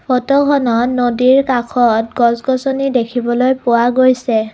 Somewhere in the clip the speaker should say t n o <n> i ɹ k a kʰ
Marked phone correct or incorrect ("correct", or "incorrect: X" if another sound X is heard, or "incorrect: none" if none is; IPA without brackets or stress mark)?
incorrect: d